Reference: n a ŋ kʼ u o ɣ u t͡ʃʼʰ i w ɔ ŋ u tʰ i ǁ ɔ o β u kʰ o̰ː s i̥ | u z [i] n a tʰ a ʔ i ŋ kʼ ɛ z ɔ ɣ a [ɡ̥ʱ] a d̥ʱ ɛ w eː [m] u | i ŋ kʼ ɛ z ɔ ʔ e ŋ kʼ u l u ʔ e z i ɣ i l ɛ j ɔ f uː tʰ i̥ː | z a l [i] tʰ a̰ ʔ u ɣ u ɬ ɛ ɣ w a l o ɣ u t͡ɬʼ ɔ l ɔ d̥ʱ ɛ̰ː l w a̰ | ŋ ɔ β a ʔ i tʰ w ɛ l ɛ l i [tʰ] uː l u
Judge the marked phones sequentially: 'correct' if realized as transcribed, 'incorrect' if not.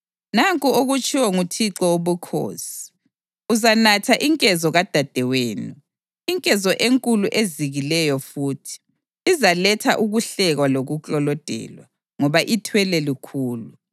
incorrect: a, incorrect: d̥ʱ, incorrect: n, incorrect: ɛ, incorrect: kʰ

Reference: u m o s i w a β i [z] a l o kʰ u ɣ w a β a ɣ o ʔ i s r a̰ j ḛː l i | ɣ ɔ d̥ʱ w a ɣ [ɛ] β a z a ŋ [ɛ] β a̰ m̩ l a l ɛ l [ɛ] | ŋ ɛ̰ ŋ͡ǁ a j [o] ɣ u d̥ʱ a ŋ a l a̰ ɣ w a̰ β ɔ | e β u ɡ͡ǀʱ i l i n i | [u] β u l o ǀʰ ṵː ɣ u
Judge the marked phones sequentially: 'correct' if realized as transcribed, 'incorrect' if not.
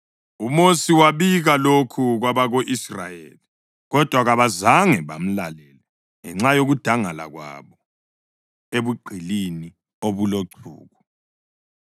incorrect: ɣ, incorrect: a, correct, correct, correct, incorrect: o

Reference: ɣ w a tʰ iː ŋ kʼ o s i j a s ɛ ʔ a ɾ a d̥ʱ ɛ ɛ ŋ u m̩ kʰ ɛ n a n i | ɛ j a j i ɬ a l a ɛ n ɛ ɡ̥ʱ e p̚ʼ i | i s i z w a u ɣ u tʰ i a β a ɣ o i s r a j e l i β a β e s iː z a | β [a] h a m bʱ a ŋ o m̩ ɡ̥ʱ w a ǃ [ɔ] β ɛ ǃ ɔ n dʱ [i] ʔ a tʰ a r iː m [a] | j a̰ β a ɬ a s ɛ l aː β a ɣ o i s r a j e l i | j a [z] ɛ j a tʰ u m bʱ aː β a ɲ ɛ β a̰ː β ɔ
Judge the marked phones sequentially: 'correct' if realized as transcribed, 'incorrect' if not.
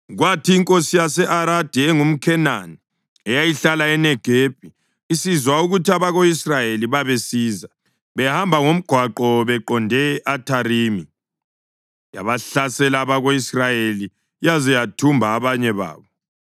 incorrect: ɛ, correct, incorrect: ɛ, incorrect: i, correct

